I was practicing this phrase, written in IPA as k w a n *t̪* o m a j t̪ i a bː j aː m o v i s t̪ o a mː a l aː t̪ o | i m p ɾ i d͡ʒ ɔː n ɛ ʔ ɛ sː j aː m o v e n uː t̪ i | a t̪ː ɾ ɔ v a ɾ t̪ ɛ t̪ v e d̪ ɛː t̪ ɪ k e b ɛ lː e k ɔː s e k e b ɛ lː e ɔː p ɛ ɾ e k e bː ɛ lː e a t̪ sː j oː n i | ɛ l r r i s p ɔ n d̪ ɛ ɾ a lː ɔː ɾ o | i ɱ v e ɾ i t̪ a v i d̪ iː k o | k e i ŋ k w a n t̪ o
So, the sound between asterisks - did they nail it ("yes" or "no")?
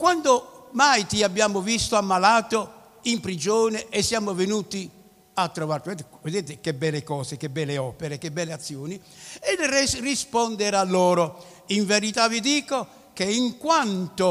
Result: no